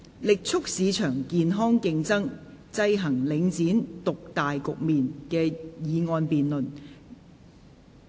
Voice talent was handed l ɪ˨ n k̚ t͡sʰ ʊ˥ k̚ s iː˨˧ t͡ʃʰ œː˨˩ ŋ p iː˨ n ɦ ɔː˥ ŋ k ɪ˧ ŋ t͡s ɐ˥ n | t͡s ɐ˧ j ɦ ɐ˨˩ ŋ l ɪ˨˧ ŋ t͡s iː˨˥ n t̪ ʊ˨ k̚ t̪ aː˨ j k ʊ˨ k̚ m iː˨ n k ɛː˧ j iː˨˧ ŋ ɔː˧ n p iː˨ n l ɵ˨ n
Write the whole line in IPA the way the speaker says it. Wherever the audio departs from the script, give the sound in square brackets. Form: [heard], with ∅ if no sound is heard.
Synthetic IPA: l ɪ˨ [∅] k̚ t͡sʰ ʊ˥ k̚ s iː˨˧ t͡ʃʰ œː˨˩ ŋ [k] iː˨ n ɦ ɔː˥ ŋ k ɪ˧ ŋ t͡s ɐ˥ [ŋ] | t͡s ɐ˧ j ɦ ɐ˨˩ ŋ l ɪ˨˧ ŋ t͡s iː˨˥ n t̪ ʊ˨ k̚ t̪ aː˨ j k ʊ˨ k̚ m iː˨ n k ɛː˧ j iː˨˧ ŋ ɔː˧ n p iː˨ n l ɵ˨ n